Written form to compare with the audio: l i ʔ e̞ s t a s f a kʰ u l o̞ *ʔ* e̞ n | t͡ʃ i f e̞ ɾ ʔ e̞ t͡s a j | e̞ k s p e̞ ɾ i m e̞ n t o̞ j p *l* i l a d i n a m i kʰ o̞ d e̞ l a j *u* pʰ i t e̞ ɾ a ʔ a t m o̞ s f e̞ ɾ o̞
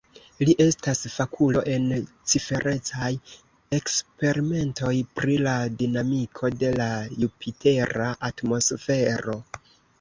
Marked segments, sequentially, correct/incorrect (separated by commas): correct, incorrect, correct